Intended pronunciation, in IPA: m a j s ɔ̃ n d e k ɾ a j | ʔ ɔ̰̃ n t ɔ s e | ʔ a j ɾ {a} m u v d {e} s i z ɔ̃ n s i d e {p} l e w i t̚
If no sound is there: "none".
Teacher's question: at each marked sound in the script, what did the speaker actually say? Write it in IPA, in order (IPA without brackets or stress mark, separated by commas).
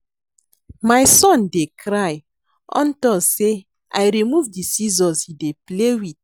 i, i, p